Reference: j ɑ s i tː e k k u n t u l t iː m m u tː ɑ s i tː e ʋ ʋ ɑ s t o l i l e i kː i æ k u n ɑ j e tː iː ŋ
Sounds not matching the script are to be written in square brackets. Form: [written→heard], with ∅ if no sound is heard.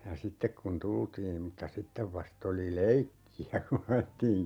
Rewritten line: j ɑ s i tː e k k u n t u l t iː m m u tː ɑ s i tː e ʋ ʋ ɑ s t o l i l e i kː i æ k u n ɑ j e tː iː ŋ